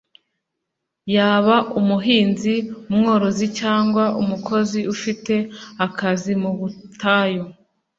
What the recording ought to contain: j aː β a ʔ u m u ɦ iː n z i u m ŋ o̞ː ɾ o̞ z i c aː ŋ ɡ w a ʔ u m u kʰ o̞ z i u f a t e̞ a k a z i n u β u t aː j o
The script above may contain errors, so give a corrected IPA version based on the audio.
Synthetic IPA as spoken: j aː β a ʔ u m u ɦ iː n z i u m ŋ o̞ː ɾ o̞ z i c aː ŋ ɡ w a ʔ u m u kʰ o̞ z i u f i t e̞ a k a z i m u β u t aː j o